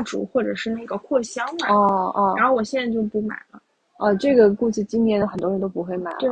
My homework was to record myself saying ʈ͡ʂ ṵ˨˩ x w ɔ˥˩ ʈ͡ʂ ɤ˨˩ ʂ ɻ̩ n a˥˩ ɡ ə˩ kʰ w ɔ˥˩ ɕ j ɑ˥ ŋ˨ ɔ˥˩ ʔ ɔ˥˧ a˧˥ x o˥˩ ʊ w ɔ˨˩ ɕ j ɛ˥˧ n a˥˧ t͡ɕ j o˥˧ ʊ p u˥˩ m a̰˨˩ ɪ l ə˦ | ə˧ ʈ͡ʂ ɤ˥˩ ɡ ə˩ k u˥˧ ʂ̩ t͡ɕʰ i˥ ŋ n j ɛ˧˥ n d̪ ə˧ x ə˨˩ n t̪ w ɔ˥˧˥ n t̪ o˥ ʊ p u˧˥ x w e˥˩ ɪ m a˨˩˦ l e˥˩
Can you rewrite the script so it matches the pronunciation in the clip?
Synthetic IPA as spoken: ʈ͡ʂ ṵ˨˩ x w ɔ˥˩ ʈ͡ʂ ɤ˨˩ ʂ ɻ̩ n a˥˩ ɡ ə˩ kʰ w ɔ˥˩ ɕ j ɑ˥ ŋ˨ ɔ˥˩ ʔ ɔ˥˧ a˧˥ x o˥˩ ʊ w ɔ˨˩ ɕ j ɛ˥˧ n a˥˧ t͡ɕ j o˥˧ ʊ p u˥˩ m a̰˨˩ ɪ l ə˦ | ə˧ ʈ͡ʂ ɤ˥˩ ɡ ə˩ k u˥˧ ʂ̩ t͡ɕ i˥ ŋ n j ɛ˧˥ n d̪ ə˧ x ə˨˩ n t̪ w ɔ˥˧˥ n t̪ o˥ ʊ p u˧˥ x w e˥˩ ɪ m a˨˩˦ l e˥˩